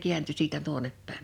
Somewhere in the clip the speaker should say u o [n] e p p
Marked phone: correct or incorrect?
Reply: correct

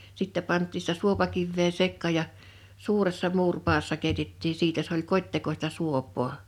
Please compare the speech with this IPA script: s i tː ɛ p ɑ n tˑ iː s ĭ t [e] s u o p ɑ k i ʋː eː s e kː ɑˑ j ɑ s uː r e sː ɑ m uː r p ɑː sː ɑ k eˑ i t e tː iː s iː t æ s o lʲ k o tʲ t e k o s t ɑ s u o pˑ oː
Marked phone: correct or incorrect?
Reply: incorrect: æ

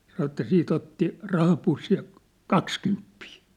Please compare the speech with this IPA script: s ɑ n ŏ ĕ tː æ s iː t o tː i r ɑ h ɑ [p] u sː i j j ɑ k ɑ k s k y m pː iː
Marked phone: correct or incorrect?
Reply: correct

